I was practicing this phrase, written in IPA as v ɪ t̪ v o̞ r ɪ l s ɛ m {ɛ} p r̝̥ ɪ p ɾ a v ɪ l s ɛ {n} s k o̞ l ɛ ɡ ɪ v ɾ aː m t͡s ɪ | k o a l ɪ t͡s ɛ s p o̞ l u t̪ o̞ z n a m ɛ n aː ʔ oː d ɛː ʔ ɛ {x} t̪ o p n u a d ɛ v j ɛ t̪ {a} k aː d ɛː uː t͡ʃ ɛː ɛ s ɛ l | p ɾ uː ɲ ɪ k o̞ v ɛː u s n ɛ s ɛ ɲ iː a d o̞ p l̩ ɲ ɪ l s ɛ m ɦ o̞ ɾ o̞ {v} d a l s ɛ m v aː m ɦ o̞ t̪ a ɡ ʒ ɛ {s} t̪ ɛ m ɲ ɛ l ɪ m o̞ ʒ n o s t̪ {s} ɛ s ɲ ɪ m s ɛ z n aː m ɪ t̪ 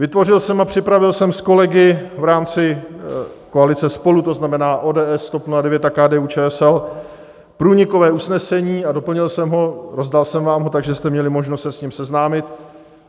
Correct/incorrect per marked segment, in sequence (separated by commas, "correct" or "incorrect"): incorrect, incorrect, incorrect, correct, incorrect, correct, correct